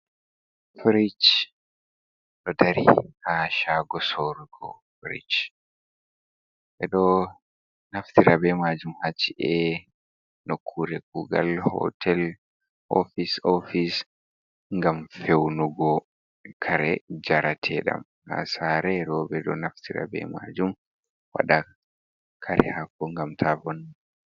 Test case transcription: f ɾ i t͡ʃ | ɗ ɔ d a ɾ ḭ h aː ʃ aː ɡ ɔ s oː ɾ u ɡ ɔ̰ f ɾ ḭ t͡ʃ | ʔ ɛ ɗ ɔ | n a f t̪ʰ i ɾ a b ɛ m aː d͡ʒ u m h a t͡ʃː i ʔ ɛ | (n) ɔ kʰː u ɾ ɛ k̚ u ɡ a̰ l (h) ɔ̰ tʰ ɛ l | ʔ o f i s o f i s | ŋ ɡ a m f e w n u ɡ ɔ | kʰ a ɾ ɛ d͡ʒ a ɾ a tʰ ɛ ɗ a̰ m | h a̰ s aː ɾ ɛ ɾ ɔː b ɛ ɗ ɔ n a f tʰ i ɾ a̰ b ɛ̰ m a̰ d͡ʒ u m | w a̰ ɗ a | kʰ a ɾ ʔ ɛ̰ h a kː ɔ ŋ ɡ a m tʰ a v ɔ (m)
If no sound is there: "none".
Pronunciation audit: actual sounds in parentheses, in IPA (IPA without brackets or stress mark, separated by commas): n, h, n